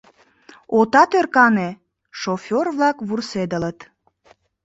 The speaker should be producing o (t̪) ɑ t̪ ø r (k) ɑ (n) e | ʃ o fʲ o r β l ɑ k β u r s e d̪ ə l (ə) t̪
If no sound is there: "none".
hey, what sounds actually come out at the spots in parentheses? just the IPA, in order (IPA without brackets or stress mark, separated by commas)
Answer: t̪, k, n, ə